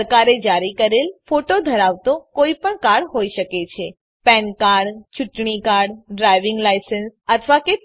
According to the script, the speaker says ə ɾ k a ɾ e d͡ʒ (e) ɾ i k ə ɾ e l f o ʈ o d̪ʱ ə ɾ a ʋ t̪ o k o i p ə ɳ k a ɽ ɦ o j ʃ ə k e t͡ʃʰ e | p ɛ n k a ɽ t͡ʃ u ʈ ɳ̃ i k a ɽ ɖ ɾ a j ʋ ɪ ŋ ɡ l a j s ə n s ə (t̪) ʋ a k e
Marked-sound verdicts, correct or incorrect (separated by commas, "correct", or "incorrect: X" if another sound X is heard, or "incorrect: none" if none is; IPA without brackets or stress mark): incorrect: a, incorrect: t̪ʰ